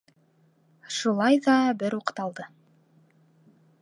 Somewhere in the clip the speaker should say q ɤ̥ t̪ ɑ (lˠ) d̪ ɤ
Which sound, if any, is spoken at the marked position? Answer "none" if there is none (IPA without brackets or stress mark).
lˠ